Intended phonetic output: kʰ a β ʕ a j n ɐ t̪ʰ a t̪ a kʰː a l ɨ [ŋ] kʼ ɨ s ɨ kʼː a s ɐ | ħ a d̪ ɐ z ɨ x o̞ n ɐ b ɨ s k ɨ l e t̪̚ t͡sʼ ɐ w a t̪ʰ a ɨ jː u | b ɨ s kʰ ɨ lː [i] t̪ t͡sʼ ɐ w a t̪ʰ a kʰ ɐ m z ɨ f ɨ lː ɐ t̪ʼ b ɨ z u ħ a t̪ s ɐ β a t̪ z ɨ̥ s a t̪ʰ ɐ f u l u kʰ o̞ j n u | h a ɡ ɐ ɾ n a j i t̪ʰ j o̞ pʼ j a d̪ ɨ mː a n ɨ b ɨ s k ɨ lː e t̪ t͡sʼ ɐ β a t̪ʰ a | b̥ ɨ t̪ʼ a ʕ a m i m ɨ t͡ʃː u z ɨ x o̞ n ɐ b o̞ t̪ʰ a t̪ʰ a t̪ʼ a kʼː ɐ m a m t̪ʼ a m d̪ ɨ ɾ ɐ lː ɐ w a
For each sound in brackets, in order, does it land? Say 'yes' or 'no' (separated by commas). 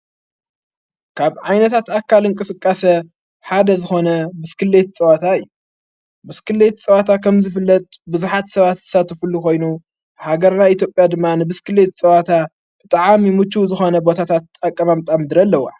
yes, no